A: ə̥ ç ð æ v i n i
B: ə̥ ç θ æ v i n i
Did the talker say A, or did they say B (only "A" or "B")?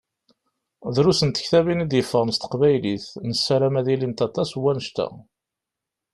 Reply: B